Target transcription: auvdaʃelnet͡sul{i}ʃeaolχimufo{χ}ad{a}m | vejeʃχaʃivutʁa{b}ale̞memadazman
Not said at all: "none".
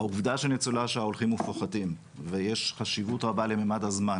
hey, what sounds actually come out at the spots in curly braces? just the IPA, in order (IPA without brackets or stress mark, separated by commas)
a, χ, i, b